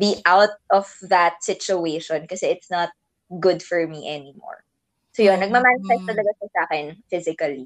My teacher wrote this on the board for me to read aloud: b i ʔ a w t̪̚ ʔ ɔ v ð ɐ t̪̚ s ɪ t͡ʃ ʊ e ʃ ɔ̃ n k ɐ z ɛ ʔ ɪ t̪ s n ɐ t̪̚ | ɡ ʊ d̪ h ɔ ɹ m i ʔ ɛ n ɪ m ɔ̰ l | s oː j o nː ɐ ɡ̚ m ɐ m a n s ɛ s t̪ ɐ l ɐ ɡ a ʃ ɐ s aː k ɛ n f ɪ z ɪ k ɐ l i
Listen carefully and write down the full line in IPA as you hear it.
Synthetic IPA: b i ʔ a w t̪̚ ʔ ɔ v ð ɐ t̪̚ s ɪ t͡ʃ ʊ e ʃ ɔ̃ n k ɐ s ɛ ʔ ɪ t̪ s n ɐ t̪̚ | ɡ ʊ d̪ f ɔ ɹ m i ʔ ɛ n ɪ m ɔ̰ ɹ | s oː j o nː ɐ ɡ̚ m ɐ m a n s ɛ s t̪ ɐ l ɐ ɡ a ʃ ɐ s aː k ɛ n f ɪ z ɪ k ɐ l i